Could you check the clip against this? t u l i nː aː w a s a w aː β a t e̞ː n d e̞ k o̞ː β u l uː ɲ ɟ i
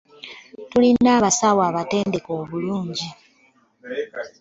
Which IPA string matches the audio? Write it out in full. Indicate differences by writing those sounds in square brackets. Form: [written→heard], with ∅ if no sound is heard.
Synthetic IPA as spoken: t u l i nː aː [w→β] a s a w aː β a t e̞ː n d e̞ k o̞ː β u l uː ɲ ɟ i